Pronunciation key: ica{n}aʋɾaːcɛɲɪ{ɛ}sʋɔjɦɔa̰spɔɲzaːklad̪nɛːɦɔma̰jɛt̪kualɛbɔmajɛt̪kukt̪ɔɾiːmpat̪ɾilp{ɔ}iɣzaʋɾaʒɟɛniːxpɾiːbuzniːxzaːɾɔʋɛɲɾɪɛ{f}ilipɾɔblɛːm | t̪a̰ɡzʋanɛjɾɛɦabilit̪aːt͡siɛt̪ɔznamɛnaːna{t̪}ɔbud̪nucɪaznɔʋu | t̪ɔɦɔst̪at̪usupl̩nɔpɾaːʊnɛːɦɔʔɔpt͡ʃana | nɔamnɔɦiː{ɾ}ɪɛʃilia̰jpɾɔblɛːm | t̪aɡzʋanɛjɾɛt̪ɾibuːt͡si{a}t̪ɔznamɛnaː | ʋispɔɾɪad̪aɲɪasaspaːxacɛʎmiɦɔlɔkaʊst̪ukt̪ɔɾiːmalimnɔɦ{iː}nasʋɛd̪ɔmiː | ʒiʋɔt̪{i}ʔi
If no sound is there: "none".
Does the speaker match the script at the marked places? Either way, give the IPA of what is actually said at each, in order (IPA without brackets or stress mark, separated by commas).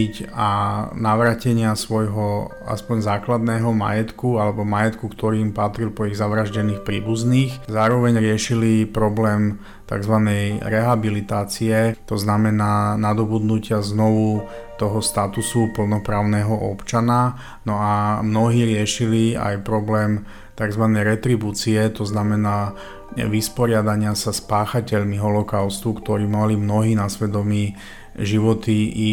n, a, ɔ, ʃ, d̪, ɾ, ɛ, iː, i